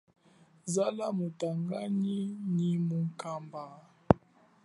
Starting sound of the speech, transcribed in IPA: z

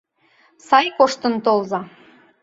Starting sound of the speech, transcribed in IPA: s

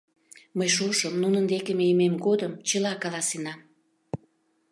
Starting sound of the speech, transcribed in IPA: m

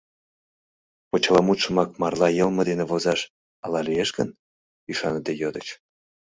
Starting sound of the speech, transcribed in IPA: p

